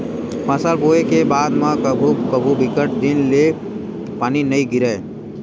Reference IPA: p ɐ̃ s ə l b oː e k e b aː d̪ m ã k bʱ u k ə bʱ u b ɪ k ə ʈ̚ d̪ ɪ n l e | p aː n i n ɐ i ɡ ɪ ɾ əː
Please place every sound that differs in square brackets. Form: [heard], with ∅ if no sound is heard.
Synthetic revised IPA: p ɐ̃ s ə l b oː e k e b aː d̪ m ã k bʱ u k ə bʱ u b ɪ k ə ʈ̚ d̪ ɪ n l e | p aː n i n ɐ i ɡ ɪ ɾ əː